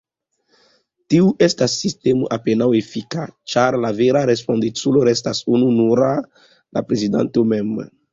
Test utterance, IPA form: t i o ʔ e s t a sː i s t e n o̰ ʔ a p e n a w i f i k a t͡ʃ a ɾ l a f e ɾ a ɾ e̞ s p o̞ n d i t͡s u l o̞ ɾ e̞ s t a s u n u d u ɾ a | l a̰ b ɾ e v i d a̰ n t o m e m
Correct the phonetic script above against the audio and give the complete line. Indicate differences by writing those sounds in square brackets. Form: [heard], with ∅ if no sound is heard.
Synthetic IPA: t i [u] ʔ e s t a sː i s t e [m] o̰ ʔ a p e n a w [e] f i k a t͡ʃ a ɾ l a [v] e ɾ a ɾ e̞ s p o̞ n d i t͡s u l o̞ ɾ e̞ s t a s u n u [n] u ɾ a | l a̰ [p] ɾ e [z] i d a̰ n t o m e m